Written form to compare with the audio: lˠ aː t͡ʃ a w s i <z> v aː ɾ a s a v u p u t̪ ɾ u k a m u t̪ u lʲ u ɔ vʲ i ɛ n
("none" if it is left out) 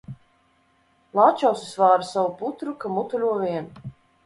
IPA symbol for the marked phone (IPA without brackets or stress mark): s